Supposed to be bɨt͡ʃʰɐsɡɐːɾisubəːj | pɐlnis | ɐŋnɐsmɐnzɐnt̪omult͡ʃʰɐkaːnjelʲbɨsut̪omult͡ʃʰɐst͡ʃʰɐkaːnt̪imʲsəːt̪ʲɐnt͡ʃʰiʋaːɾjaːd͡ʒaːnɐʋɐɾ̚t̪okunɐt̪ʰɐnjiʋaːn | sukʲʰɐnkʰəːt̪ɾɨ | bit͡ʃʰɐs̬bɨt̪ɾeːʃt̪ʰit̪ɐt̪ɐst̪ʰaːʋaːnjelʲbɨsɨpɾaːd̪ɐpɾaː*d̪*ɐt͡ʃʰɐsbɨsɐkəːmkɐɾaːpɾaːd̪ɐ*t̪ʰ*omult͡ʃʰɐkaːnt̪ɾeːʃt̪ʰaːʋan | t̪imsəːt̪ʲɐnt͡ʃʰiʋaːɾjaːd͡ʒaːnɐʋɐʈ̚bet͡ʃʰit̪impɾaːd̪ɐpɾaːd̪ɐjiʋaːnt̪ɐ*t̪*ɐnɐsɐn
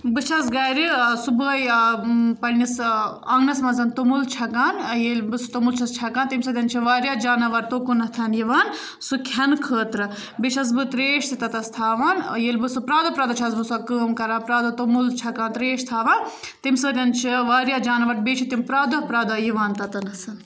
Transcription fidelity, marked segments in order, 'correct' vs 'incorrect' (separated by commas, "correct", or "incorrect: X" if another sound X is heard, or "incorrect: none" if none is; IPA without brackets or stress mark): correct, incorrect: t̪, correct